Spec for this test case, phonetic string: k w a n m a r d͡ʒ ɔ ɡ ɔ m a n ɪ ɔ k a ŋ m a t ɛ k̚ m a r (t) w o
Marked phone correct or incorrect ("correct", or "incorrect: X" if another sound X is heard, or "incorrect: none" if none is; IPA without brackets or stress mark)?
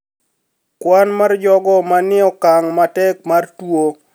correct